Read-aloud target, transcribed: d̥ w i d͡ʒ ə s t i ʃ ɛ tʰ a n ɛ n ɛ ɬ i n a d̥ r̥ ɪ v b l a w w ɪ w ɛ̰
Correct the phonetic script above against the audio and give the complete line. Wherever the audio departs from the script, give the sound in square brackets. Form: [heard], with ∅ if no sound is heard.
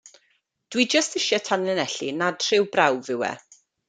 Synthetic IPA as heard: d̥ w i d͡ʒ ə s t [ɪ] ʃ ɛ tʰ a n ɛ n ɛ ɬ i n a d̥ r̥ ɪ [w] b [r] a w [v] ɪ w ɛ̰